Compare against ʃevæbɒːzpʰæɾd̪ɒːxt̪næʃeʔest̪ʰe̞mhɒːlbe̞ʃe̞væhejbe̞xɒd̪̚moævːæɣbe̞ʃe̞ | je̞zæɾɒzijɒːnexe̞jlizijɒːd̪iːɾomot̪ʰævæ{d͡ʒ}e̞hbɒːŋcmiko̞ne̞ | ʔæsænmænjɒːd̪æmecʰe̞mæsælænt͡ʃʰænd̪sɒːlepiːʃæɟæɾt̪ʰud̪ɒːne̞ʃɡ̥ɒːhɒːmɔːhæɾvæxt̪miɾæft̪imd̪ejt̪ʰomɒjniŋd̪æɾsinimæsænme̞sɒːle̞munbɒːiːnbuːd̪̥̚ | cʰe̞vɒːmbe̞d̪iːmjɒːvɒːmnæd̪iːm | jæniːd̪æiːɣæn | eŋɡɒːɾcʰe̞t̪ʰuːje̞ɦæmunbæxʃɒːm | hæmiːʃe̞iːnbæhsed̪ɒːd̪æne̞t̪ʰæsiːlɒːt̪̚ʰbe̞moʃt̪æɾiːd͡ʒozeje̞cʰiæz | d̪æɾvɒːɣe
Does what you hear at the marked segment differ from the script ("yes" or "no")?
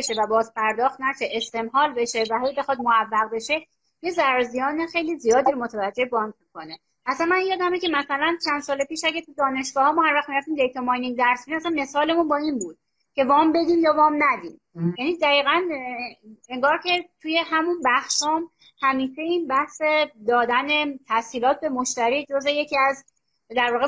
yes